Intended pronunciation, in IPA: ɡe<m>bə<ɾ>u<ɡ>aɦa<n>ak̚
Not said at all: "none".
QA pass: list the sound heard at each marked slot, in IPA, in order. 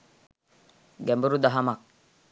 m, ɾ, d, m

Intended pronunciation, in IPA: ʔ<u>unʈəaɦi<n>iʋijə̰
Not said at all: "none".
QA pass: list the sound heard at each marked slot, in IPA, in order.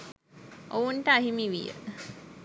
o, m

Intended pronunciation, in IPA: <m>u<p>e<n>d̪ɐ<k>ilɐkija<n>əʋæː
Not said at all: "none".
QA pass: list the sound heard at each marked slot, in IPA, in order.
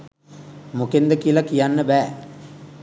m, k, n, k, nː

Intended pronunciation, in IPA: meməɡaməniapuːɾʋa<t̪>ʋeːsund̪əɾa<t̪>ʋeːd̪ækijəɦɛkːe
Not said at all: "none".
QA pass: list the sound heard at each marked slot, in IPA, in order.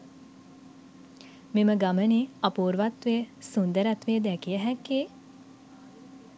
t̪, t̪

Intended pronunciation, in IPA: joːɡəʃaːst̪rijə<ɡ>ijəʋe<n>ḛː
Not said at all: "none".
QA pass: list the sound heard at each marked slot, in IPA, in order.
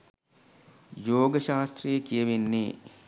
k, nː

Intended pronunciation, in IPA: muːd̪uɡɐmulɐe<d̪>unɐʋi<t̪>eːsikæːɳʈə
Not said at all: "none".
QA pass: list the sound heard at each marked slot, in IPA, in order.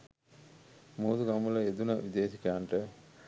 d̪, d̪

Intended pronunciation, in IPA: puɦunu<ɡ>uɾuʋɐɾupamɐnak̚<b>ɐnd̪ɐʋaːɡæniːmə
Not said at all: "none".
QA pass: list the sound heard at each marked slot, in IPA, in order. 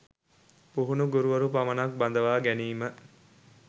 ɡ, b

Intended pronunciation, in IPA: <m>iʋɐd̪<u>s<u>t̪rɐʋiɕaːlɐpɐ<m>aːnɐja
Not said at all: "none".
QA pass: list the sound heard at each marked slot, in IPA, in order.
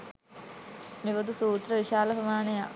m, u, uː, m

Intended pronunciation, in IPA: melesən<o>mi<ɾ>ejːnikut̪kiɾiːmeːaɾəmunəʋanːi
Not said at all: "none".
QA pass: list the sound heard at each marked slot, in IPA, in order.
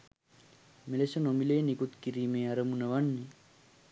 o, l

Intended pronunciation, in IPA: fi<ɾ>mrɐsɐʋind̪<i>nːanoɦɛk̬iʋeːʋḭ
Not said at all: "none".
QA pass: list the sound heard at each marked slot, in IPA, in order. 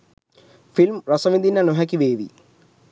l, i

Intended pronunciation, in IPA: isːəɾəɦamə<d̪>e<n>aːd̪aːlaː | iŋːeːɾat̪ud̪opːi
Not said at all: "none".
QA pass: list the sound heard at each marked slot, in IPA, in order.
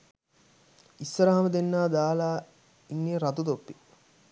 d̪, nː

